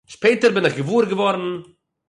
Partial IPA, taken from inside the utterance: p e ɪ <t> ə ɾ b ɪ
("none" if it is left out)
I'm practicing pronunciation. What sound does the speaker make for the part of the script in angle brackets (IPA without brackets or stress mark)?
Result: t